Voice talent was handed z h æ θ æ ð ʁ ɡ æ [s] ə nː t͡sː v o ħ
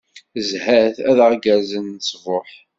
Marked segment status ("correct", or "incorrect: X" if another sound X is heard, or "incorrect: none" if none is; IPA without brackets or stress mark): incorrect: z